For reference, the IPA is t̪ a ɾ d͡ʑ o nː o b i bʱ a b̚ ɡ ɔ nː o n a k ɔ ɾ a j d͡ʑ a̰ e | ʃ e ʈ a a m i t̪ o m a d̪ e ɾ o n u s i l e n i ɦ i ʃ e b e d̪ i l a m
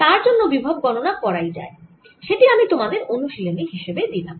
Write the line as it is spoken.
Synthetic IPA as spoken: t̪ a ɾ d͡ʑ o nː o b i bʱ a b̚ ɡ ɔ n o n a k ɔ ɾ a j d͡ʑ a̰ e | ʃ e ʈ i a m i t̪ o m a d̪ e ɾ o n u ʃ i l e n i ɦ i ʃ e b e d̪ i l a m